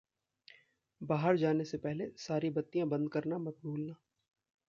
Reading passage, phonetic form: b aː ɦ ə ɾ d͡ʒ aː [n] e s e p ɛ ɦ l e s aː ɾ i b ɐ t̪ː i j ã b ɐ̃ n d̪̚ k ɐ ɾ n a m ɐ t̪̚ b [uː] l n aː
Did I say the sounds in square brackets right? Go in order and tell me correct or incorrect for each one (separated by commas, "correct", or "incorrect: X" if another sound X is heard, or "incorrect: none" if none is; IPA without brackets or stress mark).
correct, correct